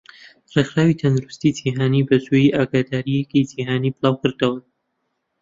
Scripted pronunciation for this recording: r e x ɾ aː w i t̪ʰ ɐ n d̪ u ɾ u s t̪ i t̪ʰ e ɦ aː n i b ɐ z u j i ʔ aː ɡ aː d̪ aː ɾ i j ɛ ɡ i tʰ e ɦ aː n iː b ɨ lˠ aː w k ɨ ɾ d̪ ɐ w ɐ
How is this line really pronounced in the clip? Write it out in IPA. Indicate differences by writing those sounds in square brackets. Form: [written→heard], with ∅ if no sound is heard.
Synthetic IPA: r e x ɾ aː w i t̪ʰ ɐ n d̪ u ɾ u s t̪ i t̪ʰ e ɦ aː n i b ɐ z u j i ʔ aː ɡ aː d̪ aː ɾ i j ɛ [ɡ→k] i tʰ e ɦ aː n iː b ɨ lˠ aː w k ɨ ɾ d̪ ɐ w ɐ